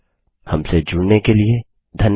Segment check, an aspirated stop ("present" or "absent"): absent